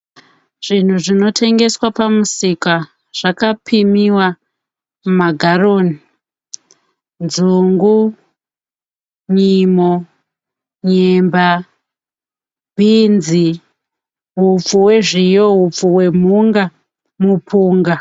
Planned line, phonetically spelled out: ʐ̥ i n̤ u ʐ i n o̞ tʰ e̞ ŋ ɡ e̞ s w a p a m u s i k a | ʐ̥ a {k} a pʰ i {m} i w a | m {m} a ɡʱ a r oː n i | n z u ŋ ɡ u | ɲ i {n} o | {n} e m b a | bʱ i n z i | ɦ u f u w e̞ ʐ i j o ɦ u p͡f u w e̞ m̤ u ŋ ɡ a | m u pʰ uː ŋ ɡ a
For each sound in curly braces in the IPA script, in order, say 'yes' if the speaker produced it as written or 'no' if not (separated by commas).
yes, yes, yes, no, no